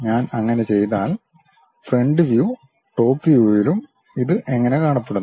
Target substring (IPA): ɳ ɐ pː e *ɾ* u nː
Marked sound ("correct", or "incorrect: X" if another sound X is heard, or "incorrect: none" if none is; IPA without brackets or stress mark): incorrect: ɽ